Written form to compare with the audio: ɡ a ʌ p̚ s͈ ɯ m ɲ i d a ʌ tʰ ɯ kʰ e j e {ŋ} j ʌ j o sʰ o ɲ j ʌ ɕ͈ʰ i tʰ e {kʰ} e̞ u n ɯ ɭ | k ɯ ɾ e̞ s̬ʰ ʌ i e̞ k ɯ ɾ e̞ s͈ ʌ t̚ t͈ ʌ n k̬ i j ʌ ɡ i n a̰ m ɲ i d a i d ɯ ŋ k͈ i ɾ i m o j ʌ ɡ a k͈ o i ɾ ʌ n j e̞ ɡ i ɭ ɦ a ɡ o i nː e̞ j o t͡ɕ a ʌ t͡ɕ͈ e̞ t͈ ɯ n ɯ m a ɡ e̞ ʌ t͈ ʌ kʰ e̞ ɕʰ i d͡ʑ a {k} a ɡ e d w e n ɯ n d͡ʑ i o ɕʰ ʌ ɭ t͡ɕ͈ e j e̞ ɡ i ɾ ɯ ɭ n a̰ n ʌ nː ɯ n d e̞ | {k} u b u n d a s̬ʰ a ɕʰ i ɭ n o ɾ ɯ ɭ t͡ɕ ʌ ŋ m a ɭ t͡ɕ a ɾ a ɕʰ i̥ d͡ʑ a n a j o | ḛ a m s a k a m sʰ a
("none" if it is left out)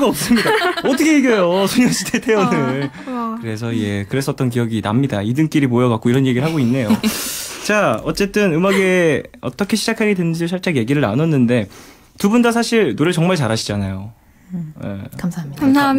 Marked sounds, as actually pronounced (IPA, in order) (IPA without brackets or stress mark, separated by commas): ɡ, tʰ, kʰ, t